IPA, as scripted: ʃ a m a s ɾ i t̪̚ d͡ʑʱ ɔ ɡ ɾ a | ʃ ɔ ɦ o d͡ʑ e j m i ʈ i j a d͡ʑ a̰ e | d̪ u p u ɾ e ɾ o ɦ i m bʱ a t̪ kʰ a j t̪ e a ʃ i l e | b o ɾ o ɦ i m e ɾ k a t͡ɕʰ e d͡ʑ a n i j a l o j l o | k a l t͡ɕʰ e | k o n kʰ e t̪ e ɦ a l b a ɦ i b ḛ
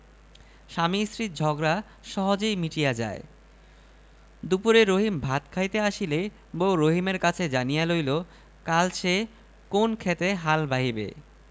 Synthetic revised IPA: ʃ a m i s ɾ i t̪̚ d͡ʑʱ ɔ ɡ ɾ a | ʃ ɔ ɦ o d͡ʑ e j m i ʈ i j a d͡ʑ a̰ e | d̪ u p u ɾ e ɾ o ɦ i m bʱ a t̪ kʰ a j t̪ e a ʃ i l e | b o ɾ o ɦ i m e ɾ k a t͡ɕʰ e d͡ʑ a n i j a l o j l o | k a l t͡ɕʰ e | k o n kʰ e t̪ e ɦ a l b a ɦ i b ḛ